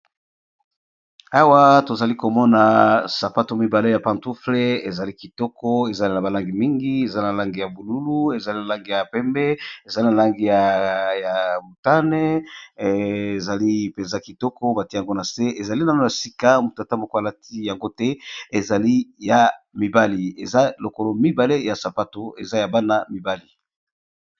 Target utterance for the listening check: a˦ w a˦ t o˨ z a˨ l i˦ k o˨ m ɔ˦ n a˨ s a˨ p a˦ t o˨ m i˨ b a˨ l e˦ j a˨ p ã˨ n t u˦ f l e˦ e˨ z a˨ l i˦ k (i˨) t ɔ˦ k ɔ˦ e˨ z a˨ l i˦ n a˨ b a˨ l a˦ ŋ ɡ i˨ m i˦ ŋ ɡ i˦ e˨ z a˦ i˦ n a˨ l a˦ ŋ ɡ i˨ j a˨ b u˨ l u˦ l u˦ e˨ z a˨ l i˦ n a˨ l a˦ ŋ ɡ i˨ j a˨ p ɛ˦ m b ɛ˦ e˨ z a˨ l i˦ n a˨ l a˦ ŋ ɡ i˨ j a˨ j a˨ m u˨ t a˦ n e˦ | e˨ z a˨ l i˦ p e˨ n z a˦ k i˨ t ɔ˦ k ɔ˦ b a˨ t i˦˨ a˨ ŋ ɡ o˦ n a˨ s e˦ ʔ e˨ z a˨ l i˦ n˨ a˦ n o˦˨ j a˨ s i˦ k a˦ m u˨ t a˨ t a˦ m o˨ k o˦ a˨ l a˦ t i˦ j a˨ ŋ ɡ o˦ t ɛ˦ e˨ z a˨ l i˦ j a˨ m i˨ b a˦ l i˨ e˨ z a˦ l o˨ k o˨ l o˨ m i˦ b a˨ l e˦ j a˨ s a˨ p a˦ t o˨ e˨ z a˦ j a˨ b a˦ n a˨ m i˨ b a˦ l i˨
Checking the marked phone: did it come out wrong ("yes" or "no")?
no